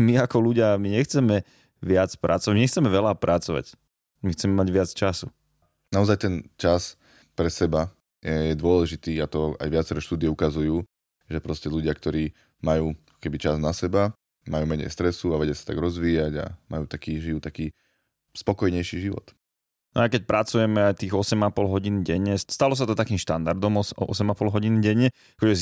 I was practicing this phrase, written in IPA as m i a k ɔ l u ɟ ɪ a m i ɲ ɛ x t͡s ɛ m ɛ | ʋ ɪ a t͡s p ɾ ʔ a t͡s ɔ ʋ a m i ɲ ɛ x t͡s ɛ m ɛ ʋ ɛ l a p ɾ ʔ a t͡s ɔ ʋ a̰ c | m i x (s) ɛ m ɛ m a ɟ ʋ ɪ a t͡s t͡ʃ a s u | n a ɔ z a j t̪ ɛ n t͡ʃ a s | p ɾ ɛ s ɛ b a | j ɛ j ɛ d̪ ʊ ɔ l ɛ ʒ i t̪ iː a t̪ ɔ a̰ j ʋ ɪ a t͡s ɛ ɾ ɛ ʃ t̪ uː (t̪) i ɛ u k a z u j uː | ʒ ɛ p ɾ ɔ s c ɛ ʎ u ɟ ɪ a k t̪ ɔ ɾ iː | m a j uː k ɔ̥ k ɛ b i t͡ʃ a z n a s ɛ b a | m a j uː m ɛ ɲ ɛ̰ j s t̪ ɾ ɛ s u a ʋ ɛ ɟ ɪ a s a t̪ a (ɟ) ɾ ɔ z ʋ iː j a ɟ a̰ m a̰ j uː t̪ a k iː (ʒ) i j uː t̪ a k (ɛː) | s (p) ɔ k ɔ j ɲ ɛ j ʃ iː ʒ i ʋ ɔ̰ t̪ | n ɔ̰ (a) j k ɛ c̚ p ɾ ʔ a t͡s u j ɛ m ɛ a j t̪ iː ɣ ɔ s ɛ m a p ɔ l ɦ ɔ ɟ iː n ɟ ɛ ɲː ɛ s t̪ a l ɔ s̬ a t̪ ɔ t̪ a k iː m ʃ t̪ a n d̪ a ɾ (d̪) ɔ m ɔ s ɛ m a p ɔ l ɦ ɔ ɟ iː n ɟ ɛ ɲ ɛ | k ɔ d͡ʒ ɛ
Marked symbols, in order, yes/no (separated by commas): no, no, no, yes, no, yes, yes, yes